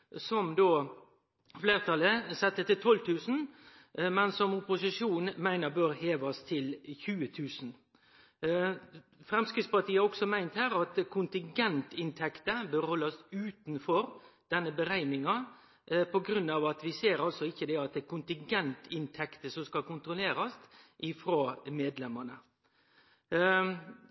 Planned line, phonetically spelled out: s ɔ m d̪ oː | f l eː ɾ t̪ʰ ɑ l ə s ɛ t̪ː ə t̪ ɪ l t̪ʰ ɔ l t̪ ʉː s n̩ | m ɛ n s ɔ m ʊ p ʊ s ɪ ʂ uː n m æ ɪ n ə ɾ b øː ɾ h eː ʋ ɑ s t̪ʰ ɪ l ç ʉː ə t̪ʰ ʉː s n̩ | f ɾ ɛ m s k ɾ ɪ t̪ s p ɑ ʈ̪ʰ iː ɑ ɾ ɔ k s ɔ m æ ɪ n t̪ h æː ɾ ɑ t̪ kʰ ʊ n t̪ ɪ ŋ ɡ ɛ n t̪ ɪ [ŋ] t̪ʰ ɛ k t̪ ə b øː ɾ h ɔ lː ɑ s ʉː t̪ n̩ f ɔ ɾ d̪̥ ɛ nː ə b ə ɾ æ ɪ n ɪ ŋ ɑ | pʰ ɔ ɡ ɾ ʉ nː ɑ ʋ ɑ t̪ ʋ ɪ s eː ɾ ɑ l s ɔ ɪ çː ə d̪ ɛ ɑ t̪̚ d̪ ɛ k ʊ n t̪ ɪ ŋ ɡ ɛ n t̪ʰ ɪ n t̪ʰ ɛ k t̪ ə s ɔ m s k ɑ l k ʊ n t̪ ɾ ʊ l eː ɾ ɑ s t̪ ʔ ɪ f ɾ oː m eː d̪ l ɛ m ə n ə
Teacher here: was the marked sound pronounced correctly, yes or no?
no